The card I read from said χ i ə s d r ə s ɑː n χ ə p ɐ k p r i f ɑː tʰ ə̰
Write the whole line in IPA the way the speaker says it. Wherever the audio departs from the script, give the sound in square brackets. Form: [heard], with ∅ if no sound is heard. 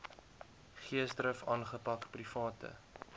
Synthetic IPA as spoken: χ i ə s d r ə [f] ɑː n χ ə p ɐ k p r i f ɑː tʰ ə̰